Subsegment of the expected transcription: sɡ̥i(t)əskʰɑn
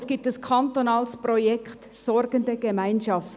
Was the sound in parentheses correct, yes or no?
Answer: yes